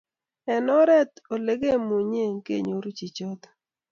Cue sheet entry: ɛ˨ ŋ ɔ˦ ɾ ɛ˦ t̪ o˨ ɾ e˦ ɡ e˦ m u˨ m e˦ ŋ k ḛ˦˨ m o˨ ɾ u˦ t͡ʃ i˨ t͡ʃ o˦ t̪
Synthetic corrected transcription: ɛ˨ n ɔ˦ ɾ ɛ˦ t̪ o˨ l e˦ ɡ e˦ m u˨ ɲ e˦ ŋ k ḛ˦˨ ɲ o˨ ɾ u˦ t͡ʃ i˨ t͡ʃ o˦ t̪

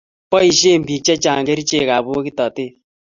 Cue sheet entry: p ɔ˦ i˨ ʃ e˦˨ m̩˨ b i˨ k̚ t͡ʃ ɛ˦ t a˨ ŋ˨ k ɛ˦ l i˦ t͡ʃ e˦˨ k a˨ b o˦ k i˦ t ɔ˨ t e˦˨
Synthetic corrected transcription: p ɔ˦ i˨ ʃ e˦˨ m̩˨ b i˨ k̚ t͡ʃ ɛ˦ t͡ʃ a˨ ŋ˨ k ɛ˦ ɾ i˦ t͡ʃ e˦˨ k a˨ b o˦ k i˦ t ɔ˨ t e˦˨

